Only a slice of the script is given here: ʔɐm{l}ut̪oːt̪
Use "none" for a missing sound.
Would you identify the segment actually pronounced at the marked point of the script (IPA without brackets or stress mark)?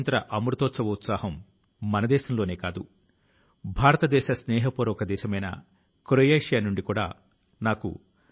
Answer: ɾ